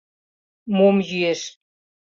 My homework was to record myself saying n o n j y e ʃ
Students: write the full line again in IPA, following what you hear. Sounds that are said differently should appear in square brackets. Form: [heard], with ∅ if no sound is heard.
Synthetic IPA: [m] o [m] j y e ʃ